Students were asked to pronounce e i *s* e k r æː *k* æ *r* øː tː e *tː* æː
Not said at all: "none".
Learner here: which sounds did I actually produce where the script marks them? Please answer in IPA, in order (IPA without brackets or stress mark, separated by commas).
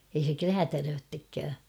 s, t, r, kː